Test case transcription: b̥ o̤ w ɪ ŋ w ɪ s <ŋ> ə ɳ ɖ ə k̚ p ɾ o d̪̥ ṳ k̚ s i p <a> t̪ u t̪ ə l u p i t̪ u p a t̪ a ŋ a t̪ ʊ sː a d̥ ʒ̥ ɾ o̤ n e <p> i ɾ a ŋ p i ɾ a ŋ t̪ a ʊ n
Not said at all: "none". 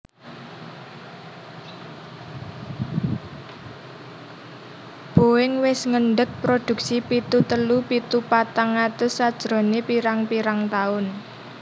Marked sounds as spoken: ŋ, i, p

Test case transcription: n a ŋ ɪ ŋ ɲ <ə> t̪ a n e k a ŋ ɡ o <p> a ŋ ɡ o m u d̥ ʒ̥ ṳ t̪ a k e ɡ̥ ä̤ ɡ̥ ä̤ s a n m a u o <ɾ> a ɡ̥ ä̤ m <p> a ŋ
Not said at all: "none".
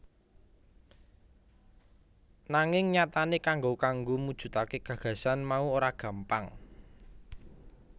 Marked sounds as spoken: a, k, ɾ, p

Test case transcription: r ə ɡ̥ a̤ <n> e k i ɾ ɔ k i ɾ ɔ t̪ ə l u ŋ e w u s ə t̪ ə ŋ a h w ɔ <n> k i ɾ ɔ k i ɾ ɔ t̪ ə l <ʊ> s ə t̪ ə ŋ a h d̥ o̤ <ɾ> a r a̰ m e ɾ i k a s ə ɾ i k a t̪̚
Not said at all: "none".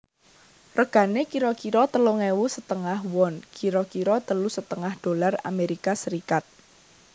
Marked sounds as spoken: n, n, u, l

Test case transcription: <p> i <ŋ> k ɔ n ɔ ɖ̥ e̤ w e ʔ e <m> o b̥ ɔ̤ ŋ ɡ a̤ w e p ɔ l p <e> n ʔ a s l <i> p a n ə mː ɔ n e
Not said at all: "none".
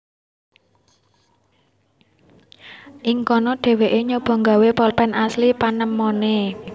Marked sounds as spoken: ʔ, ŋ, ɲ, ɛ, i

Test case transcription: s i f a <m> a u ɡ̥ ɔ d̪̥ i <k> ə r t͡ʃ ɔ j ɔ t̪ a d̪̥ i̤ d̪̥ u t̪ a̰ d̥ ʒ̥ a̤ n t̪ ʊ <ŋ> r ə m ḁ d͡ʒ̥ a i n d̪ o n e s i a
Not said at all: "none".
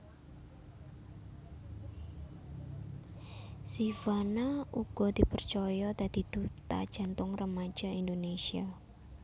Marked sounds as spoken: n, p, ŋ

